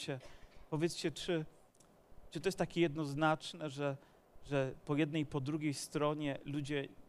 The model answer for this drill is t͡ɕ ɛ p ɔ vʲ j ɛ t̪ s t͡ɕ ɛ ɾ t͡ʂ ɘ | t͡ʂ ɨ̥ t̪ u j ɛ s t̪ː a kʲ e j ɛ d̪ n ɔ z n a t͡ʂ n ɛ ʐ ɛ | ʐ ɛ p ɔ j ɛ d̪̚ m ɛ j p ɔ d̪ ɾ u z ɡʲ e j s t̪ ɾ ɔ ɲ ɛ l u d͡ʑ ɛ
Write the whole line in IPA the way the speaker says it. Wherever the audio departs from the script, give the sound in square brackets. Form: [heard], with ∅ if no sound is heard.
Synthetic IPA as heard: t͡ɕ ɛ p ɔ vʲ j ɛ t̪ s t͡ɕ ɛ [∅] t͡ʂ ɘ | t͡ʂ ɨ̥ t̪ [ɔ] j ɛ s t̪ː a kʲ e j ɛ d̪ n ɔ z n a t͡ʂ n ɛ ʐ ɛ | ʐ ɛ p ɔ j ɛ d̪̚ [n] ɛ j p ɔ d̪ ɾ u [∅] ɡʲ e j s t̪ ɾ ɔ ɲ ɛ l u d͡ʑ ɛ